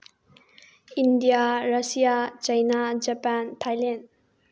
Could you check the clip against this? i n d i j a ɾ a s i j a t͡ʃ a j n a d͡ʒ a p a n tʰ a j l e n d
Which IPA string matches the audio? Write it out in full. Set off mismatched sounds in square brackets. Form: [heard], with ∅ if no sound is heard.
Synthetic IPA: i n d i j a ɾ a s i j a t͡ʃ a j n a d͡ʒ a p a n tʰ a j l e n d